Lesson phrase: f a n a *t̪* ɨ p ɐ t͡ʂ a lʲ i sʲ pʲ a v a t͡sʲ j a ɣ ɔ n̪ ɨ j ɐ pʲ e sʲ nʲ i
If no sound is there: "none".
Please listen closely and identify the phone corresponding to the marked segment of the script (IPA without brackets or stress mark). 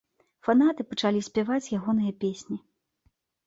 t̪